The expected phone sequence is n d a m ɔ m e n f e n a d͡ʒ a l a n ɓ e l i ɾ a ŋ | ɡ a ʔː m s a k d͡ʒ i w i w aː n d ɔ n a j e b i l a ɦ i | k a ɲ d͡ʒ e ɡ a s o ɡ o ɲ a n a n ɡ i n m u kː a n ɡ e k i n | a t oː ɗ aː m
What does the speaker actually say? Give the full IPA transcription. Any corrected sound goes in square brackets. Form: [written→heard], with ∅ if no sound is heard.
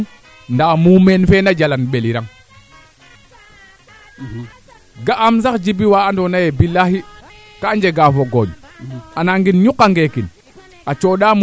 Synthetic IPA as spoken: n d a m [ɔ→u] m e n f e n a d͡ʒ a l a n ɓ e l i ɾ a ŋ | ɡ a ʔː m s a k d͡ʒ i [w→b] i w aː n d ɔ n a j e b i l a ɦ i | k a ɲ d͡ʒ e ɡ a [s→f] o ɡ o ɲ a n a [n→ŋ] ɡ i n [m→ɲ] u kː a [n→ŋ] ɡ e k i n | a [t→t͡ʃ] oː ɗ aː m